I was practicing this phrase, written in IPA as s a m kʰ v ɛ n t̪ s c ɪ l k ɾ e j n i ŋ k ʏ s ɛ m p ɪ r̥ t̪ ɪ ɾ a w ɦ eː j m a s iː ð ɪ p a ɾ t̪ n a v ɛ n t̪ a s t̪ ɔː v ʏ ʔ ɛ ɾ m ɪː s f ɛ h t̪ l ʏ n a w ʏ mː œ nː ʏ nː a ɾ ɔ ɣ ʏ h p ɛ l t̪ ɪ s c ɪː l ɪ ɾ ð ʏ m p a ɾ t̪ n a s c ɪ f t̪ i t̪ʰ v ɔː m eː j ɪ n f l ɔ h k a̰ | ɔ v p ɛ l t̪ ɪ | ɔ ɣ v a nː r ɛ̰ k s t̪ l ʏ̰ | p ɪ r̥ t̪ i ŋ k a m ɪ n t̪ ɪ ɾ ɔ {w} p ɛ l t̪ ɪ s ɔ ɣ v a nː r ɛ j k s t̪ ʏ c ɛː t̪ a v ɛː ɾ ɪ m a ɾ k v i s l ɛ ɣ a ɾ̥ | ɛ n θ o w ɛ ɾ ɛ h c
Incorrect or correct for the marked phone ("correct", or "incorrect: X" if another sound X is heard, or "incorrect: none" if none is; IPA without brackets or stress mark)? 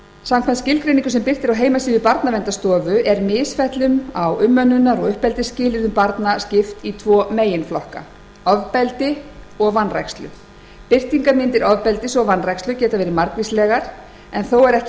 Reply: incorrect: v